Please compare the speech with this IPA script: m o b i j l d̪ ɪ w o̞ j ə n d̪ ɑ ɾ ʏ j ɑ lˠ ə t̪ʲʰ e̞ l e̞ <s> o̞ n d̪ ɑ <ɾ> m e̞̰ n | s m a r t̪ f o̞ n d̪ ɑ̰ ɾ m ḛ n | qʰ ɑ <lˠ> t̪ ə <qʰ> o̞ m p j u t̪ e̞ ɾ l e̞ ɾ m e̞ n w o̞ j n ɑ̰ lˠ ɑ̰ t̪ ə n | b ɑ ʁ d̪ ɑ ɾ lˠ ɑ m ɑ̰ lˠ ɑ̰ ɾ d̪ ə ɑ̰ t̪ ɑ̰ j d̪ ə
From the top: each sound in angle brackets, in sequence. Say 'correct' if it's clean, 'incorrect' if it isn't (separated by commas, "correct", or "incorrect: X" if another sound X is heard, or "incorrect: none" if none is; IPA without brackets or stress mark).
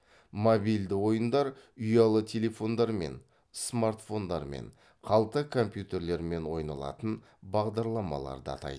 incorrect: f, correct, correct, incorrect: kʰ